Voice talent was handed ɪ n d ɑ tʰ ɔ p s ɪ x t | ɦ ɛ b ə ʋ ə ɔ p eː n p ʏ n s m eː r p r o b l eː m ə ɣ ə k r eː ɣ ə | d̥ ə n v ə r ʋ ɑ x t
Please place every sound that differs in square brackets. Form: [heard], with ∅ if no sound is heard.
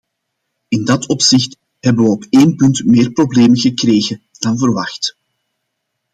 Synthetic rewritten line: ɪ n d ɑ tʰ ɔ p s ɪ x t | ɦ ɛ b ə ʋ ə ɔ p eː n p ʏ n [t] m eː r p r o b l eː m ə ɣ ə k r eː ɣ ə | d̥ [ɑ] n v ə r ʋ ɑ x t